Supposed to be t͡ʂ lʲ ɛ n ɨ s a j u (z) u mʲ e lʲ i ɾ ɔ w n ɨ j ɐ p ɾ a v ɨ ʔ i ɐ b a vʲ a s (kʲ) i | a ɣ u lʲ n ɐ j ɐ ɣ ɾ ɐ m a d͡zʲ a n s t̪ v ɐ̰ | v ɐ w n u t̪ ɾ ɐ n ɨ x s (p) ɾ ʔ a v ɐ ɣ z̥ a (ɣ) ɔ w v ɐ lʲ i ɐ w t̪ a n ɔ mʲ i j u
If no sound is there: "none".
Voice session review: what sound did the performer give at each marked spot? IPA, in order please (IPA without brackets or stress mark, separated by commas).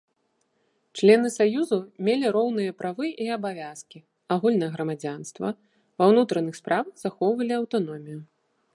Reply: z, kʲ, p, x